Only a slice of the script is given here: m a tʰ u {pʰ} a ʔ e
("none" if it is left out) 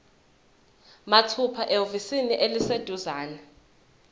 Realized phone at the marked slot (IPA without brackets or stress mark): pʰ